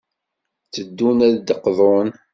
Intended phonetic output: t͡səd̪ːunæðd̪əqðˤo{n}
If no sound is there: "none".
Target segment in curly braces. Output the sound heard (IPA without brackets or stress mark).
n